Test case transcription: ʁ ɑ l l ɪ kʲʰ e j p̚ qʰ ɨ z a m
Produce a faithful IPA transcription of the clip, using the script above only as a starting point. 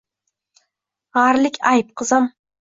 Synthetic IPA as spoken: ʁ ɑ ɾ l ɪ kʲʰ a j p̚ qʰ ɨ z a m